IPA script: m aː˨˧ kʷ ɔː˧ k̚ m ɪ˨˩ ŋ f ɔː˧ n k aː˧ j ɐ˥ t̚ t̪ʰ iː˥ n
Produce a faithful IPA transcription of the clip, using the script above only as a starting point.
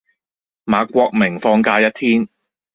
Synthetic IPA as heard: m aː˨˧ kʷ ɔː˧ k̚ m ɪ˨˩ ŋ f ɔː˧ ŋ k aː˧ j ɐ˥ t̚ t̪ʰ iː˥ n